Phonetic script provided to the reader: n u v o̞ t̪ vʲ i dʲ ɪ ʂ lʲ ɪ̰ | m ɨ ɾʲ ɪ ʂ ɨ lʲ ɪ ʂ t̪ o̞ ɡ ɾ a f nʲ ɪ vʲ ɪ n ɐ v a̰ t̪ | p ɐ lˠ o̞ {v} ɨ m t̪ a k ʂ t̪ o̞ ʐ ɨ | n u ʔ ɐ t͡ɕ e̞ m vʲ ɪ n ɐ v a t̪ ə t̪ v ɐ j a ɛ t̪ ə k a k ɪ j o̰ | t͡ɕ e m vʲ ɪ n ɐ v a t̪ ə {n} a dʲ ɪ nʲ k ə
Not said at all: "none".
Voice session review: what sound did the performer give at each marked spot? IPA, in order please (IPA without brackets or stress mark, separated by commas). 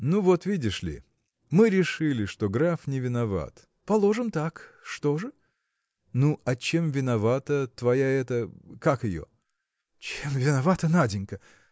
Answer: ʐ, n